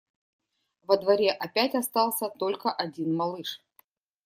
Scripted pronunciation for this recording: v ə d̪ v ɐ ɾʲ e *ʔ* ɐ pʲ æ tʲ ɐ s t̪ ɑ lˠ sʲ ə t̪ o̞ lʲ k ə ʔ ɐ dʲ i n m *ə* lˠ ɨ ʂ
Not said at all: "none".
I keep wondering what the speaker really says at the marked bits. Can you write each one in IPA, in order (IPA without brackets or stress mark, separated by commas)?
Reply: ʔ, ɐ